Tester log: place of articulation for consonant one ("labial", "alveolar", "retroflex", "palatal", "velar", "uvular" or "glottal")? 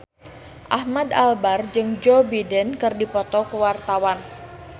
glottal